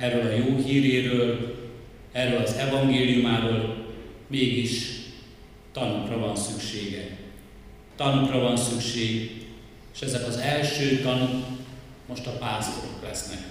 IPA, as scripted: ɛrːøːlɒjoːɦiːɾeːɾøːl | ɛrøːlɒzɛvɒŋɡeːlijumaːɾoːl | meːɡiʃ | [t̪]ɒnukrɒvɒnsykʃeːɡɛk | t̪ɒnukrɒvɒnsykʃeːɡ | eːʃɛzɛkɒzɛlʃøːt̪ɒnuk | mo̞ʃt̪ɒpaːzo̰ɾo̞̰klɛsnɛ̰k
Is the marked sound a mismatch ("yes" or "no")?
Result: no